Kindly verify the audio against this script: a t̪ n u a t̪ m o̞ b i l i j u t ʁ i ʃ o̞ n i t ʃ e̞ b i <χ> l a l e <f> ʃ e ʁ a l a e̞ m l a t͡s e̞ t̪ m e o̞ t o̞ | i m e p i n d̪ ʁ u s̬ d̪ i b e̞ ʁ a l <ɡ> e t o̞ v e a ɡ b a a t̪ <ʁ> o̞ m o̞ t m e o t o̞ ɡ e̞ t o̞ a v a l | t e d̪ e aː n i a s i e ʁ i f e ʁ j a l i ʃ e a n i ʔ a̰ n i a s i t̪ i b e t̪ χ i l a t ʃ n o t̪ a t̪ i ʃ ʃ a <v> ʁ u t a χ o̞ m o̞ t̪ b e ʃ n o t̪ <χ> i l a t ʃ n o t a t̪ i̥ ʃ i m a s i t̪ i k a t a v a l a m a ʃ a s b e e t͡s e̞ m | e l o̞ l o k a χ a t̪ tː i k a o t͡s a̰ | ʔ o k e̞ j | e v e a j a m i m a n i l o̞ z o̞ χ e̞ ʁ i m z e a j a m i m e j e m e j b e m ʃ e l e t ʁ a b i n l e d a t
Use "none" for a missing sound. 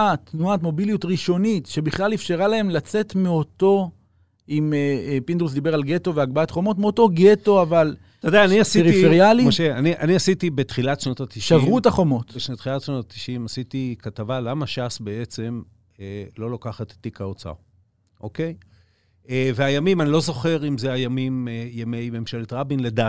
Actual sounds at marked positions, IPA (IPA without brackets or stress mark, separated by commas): χ, f, ɡ, χ, v, χ